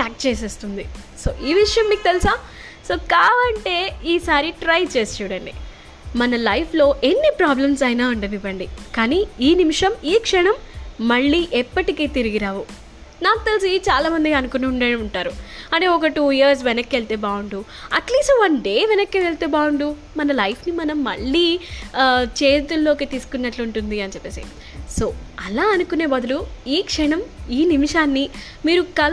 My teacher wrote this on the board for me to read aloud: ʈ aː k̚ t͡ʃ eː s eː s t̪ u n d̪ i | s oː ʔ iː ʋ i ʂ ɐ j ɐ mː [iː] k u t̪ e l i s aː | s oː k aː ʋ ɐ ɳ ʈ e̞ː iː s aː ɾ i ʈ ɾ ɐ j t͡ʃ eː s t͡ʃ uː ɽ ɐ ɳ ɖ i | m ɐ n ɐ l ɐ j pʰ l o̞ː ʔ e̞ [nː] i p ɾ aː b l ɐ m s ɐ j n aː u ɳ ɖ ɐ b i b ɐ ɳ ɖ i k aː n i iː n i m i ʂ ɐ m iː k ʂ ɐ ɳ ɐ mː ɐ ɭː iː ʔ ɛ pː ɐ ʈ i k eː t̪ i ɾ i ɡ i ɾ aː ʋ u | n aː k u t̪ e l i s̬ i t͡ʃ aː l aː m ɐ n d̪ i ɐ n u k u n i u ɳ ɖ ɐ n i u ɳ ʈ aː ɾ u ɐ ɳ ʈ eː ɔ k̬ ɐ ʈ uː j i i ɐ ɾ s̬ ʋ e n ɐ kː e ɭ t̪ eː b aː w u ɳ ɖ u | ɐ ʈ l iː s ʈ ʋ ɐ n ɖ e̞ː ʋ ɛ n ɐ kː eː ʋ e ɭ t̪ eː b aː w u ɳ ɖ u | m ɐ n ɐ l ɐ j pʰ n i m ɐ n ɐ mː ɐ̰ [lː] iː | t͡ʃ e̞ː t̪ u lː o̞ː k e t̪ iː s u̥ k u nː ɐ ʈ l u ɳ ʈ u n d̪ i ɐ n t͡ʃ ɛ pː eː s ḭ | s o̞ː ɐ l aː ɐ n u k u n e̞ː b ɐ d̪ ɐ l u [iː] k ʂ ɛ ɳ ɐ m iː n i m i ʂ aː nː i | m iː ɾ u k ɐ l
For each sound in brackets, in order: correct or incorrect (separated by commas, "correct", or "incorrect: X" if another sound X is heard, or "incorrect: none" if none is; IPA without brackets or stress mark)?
correct, correct, incorrect: ɭː, correct